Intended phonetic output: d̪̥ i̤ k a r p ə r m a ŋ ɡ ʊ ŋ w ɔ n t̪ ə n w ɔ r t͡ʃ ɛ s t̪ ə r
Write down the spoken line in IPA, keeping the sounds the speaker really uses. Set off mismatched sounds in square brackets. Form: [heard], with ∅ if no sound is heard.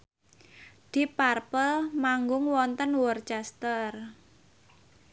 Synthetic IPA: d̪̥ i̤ [p] a r p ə [l] m a ŋ ɡ ʊ ŋ w ɔ n t̪ ə n w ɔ r t͡ʃ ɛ s t̪ ə r

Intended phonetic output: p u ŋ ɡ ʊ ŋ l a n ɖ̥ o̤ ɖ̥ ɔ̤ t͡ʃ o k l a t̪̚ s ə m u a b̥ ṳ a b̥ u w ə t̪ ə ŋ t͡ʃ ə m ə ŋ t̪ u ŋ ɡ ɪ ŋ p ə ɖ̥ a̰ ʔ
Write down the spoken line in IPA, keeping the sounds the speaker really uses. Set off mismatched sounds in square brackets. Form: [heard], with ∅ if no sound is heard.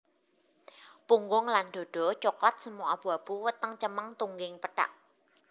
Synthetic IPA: p u ŋ ɡ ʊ ŋ l a n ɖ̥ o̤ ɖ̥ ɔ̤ t͡ʃ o k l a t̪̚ s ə m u a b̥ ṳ a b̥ u w ə t̪ ə ŋ t͡ʃ ə m ə ŋ t̪ u ŋ ɡ ɪ ŋ p ə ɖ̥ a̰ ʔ

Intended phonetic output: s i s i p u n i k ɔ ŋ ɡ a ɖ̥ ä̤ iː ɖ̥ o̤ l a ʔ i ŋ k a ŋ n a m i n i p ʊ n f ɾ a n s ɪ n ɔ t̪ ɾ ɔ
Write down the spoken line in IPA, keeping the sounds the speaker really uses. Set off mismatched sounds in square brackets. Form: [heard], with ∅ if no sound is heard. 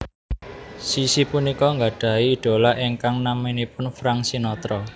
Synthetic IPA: s i s i p u n i k ɔ ŋ ɡ a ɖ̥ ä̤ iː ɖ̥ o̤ l a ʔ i ŋ k a ŋ n a m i n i p ʊ n f ɾ a [ŋ] s [i] n ɔ t̪ ɾ ɔ

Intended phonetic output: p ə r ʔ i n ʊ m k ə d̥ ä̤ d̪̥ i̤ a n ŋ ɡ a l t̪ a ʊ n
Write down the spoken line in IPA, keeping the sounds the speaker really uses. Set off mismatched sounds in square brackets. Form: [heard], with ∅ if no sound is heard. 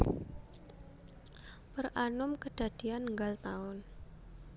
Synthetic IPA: p ə r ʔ [a] n ʊ m k ə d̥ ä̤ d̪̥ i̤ a n ŋ ɡ a l t̪ a ʊ n

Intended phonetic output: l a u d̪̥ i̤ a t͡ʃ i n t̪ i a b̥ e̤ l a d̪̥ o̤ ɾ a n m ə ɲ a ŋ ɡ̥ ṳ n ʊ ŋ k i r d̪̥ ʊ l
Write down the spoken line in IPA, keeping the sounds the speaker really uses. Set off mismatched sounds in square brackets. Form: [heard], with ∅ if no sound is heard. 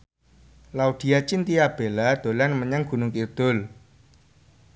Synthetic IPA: l a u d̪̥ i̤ a t͡ʃ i n t̪ i a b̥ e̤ l a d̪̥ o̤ [l] a n m ə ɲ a ŋ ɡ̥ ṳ n ʊ ŋ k i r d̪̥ ʊ l

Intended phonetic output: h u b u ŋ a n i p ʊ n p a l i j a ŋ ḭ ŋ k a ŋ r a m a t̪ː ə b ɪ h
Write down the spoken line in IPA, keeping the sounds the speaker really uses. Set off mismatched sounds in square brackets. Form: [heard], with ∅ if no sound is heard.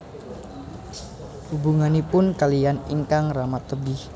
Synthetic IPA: h u b u ŋ a n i p ʊ n [k] a l i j a [n] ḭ ŋ k a ŋ r a m a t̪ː ə b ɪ h

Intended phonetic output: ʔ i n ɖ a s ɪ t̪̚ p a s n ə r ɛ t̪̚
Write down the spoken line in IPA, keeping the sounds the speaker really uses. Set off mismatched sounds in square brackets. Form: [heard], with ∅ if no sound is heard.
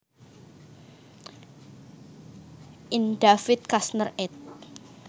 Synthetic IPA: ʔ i n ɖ a [f] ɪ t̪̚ [k] a s n ə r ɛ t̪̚

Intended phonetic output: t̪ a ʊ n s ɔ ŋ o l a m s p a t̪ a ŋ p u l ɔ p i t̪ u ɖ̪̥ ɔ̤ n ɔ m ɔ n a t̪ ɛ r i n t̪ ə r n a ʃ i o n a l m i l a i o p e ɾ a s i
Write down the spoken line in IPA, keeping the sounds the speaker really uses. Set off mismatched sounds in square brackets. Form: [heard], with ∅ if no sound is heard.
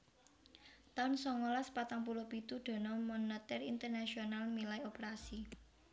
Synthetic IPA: t̪ a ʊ n s ɔ ŋ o l a [∅] s p a t̪ a ŋ p u l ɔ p i t̪ u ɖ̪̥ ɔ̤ n ɔ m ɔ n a t̪ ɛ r i n t̪ ə r n a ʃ i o n a l m i l a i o p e ɾ a s i

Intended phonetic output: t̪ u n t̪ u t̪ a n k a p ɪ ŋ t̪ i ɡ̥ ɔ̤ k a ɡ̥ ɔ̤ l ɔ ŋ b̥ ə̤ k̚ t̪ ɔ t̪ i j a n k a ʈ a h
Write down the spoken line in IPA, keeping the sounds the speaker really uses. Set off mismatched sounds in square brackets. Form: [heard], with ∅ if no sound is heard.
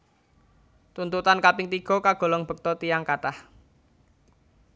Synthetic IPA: t̪ u n t̪ u t̪ a n k a p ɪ ŋ t̪ i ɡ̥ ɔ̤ k a ɡ̥ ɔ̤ l ɔ ŋ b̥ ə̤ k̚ t̪ ɔ t̪ i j a [ŋ] k a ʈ a h

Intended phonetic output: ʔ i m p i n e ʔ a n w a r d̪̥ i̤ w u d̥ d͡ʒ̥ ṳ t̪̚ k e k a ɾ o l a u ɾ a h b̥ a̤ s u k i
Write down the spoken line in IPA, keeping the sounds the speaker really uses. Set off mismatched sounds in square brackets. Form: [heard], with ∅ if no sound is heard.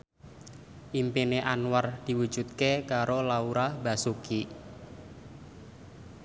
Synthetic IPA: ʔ i m p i n e ʔ a n w a r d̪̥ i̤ w u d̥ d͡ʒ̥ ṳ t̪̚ k e k a ɾ o l a u ɾ a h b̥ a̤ s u k i

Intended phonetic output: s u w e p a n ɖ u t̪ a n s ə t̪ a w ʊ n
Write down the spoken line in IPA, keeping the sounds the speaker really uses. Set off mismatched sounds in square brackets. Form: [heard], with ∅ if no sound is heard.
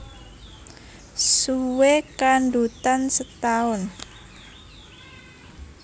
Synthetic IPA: s u w e [k] a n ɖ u t̪ a n s ə t̪ a [∅] ʊ n

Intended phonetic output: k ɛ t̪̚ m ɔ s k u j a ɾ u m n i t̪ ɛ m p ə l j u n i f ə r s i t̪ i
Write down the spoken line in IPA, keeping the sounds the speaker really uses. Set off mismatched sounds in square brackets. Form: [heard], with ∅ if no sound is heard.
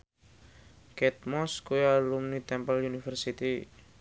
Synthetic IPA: k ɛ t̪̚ m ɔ s k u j a [l] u m n i t̪ ɛ m p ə l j u n i f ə r s i t̪ i

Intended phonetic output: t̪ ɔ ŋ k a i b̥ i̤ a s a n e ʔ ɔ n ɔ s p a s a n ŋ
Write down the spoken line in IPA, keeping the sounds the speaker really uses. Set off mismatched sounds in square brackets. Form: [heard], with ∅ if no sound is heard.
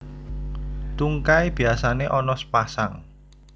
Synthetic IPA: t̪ [u] ŋ k a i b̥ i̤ a s a n e ʔ ɔ n ɔ s p a s a [∅] ŋ

